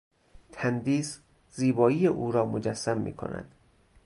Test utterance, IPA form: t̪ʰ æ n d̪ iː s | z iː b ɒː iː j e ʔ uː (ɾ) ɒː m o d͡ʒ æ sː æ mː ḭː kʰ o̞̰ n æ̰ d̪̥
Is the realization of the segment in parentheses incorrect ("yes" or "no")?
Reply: no